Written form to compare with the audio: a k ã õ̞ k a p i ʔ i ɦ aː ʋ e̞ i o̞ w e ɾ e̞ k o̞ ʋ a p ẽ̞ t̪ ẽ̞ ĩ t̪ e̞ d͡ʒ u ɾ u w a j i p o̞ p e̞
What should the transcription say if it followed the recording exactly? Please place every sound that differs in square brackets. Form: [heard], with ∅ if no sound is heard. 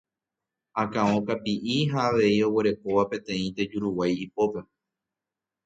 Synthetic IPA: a k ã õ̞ k a p i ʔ i ɦ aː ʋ e̞ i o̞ w e ɾ e̞ k o̞ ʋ a p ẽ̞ t̪ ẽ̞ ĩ t̪ e̞ d͡ʒ u ɾ u w a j i p o̞ p e̞